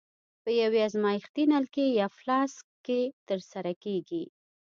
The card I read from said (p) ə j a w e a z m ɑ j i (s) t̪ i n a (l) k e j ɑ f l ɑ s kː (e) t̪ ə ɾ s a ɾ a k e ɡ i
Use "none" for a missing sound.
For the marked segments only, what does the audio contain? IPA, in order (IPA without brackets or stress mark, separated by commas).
p, x, l, e